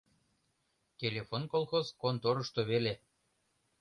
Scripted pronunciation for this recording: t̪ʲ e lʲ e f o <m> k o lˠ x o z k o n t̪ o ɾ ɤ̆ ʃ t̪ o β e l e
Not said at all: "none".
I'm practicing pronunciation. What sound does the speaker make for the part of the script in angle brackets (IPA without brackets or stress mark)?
n